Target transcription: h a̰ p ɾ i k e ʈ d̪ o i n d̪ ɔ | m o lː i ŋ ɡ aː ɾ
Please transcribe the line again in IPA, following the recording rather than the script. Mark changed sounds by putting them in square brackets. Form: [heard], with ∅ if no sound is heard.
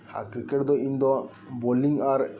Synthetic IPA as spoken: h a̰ [k] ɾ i k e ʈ d̪ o i n d̪ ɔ | [b] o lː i ŋ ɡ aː ɾ

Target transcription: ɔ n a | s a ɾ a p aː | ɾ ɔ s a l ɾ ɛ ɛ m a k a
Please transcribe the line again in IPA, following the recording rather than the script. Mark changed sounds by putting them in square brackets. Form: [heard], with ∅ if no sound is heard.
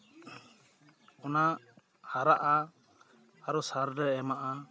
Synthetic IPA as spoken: ɔ n a | [h] a ɾ a [ʔ] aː | ɾ ɔ s a [ɾ] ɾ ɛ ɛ m a [ʔ] a

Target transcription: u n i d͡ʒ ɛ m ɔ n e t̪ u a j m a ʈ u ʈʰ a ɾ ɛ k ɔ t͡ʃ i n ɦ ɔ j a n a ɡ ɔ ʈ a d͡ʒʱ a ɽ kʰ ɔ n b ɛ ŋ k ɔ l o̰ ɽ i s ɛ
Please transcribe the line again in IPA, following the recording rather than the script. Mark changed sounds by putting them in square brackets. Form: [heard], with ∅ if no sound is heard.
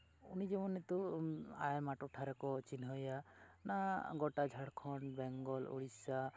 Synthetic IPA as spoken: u n i d͡ʒ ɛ m ɔ n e t̪ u a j m a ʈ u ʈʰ a ɾ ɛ k ɔ t͡ʃ i n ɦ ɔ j a n a ɡ ɔ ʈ a d͡ʒʱ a ɽ kʰ ɔ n b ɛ ŋ [ɡ] ɔ l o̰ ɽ i s [a]

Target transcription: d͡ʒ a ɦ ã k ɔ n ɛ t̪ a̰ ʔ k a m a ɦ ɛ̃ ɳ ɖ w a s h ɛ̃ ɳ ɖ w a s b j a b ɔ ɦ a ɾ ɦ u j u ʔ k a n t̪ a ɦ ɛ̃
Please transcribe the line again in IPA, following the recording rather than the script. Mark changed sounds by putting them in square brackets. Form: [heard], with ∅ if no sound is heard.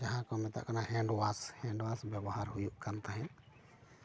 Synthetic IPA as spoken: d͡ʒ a ɦ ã k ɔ [m] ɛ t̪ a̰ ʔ k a [n] a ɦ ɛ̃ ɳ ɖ w a s h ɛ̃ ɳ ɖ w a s b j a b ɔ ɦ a ɾ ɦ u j u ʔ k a n t̪ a ɦ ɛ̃

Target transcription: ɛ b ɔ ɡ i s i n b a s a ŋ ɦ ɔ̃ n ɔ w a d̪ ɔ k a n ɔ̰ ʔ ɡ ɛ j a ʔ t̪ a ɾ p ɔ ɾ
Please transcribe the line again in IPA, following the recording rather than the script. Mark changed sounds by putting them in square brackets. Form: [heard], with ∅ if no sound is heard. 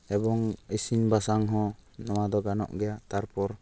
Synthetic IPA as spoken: ɛ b ɔ [ŋ] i s i n b a s a ŋ ɦ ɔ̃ n ɔ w a d̪ ɔ [ɡ] a n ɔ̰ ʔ ɡ ɛ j a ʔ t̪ a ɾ p ɔ ɾ

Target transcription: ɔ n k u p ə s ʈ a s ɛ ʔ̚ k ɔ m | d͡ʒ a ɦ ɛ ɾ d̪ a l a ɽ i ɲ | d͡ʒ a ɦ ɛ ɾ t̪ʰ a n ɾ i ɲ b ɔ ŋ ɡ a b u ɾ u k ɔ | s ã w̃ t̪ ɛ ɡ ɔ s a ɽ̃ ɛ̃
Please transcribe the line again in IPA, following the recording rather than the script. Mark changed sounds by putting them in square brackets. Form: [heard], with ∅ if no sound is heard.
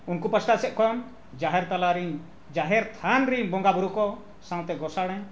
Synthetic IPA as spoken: [u] n k u p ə s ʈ a s ɛ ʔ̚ k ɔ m | d͡ʒ a ɦ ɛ ɾ [t̪] a l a [ɾ] i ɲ | d͡ʒ a ɦ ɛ ɾ t̪ʰ a n ɾ i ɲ b ɔ ŋ ɡ a b u ɾ u k ɔ | s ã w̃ t̪ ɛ ɡ ɔ s a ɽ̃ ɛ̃

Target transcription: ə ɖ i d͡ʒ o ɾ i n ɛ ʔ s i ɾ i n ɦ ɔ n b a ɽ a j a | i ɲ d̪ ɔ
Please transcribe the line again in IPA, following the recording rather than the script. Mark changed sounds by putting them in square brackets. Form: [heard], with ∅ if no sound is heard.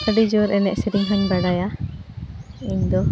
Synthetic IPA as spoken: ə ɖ i d͡ʒ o ɾ [ɛ] n ɛ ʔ s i ɾ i [ŋ] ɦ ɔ n b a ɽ a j a | i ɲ d̪ ɔ

